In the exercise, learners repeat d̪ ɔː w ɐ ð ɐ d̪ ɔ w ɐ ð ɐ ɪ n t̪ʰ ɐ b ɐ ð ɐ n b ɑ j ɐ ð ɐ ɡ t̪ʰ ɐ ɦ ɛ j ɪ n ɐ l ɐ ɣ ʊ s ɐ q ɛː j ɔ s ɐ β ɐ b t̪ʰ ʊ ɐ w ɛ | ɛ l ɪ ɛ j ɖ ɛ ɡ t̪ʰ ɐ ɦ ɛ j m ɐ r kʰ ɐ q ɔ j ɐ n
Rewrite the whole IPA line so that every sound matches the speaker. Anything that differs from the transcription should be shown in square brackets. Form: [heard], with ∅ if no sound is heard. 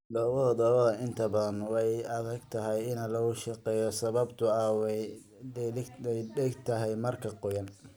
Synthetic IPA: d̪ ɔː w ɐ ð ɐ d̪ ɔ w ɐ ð ɐ ɪ n t̪ʰ ɐ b ɐ ð ɐ n [w] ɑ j ɐ ð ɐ ɡ t̪ʰ ɐ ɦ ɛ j ɪ n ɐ l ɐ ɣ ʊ [ʃ] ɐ q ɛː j ɔ s ɐ β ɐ b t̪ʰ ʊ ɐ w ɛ | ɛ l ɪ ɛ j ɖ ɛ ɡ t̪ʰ ɐ ɦ ɛ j m ɐ r kʰ ɐ q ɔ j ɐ n

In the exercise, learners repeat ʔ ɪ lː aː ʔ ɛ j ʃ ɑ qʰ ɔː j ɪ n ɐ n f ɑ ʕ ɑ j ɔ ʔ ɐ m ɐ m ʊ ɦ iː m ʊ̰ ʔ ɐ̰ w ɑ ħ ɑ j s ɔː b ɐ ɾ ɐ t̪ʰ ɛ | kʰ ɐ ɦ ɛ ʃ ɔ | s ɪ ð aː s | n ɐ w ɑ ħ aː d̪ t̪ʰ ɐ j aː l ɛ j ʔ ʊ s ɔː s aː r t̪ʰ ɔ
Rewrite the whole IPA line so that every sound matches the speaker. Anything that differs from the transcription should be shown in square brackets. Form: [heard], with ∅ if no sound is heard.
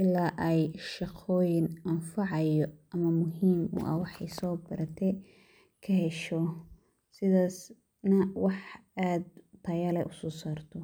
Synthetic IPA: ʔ ɪ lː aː ʔ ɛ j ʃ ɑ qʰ ɔː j ɪ n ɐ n f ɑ ʕ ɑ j ɔ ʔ ɐ m ɐ m ʊ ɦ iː m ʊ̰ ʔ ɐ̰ w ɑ ħ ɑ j s ɔː b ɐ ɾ ɐ t̪ʰ ɛ | kʰ ɐ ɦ ɛ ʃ ɔ | s ɪ ð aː s | n ɐ w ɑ ħ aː d̪ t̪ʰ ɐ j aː l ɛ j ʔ ʊ s ɔː s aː r t̪ʰ ɔ

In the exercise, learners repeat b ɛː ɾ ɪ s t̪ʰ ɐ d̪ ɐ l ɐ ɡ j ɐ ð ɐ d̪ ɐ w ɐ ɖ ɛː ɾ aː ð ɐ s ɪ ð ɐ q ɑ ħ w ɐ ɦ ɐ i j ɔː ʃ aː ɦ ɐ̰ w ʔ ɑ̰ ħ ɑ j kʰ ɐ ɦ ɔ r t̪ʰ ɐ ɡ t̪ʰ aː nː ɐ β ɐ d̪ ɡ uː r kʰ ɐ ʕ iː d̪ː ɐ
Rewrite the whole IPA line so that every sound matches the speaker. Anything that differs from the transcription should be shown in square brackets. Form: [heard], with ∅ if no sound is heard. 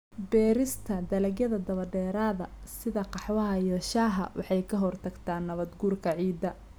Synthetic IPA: b ɛː ɾ ɪ s t̪ʰ ɐ d̪ ɐ l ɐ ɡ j ɐ ð ɐ d̪ ɐ [β] ɐ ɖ ɛː ɾ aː ð ɐ s ɪ ð ɐ q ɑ ħ w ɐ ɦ ɐ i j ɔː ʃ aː ɦ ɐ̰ w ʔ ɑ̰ ħ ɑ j kʰ ɐ ɦ ɔ r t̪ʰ ɐ ɡ t̪ʰ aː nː ɐ β ɐ d̪ ɡ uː r kʰ ɐ ʕ iː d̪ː ɐ

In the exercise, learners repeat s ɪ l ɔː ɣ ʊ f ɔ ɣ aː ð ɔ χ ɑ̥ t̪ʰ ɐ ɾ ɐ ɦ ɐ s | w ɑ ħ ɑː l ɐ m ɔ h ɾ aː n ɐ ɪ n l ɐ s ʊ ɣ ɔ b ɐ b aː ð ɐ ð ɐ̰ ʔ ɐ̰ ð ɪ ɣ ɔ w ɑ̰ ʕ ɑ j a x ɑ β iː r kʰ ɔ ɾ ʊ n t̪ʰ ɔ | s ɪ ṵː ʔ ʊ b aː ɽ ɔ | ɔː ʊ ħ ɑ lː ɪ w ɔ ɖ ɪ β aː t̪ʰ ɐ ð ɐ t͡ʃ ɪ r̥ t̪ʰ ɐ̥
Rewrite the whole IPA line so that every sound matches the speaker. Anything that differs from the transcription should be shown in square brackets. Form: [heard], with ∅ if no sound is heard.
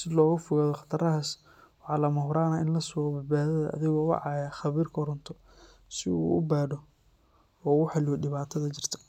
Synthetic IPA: s ɪ l ɔː ɣ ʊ f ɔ ɣ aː ð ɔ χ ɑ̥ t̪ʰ ɐ ɾ ɐ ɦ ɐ s | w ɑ ħ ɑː l ɐ m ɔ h ɾ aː n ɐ ɪ n l ɐ s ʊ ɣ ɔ b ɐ b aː ð ɐ ð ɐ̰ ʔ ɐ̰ ð ɪ ɣ ɔ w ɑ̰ ʕ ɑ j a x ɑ β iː r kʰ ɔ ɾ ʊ n t̪ʰ ɔ | s ɪ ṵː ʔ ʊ b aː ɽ ɔ | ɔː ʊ ħ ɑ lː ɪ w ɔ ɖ ɪ β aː t̪ʰ ɐ ð ɐ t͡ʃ ɪ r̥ t̪ʰ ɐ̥

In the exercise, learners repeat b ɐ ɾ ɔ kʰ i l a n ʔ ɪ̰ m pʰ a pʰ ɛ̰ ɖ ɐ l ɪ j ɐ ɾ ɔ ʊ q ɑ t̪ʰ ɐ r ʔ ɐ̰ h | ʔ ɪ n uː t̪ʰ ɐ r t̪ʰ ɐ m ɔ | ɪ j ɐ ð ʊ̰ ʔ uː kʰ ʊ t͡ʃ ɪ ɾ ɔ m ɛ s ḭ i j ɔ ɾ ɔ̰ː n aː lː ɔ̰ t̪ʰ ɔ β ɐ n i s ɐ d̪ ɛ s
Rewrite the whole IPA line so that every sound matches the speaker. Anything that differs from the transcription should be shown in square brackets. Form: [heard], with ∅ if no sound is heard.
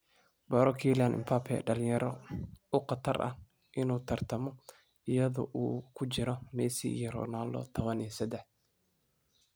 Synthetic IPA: b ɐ ɾ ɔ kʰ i l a n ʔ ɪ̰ m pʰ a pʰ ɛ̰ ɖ ɐ l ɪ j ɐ ɾ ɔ ʊ q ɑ t̪ʰ ɐ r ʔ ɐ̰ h | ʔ ɪ n uː t̪ʰ ɐ r t̪ʰ ɐ m ɔ | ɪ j ɐ ð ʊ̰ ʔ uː kʰ ʊ t͡ʃ ɪ ɾ ɔ m ɛ s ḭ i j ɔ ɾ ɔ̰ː n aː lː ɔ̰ t̪ʰ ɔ β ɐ n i s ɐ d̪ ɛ [ħ]

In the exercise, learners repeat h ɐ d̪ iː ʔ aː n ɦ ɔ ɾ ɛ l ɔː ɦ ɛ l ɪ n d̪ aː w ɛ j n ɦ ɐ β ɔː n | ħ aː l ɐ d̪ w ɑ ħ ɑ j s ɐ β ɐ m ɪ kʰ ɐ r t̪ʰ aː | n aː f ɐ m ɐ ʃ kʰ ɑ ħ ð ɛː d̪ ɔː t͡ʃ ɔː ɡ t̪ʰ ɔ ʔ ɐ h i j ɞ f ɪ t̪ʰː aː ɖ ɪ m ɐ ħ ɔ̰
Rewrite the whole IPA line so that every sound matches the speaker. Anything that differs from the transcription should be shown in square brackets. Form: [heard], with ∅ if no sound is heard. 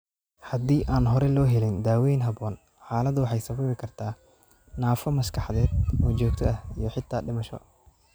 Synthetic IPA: h ɐ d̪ iː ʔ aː n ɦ ɔ ɾ ɛ l ɔː ɦ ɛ l ɪ n d̪ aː w ɛ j n ɦ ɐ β ɔː n | ħ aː l ɐ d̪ w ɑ ħ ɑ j s ɐ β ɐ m ɪ kʰ ɐ r t̪ʰ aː | n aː f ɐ m ɐ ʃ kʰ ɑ ħ ð ɛː d̪ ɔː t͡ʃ ɔː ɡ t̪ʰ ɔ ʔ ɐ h i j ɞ [ħ] ɪ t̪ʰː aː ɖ ɪ m ɐ [ʃ] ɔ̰

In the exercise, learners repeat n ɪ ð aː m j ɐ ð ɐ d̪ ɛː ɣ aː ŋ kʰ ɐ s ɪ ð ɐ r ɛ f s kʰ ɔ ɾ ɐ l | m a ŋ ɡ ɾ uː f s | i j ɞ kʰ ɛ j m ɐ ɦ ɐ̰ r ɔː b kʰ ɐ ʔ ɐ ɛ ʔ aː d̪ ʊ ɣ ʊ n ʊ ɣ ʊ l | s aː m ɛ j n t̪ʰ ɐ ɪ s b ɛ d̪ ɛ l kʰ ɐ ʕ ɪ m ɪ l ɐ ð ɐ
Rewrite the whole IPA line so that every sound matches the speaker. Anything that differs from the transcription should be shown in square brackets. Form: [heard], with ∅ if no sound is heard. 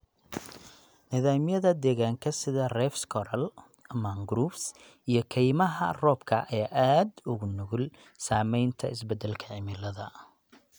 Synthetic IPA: n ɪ ð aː m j ɐ ð ɐ d̪ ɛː ɣ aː ŋ kʰ ɐ s ɪ ð ɐ r ɛ f s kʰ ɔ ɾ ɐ l | m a ŋ ɡ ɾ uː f s | i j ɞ kʰ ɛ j m ɐ ɦ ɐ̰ r ɔː b kʰ ɐ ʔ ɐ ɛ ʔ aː d̪ ʊ ɣ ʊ n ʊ ɣ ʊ l | s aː m ɛ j n t̪ʰ ɐ ɪ s b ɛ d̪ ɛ l kʰ ɐ ʕ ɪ m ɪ l ɐ ð ɐ

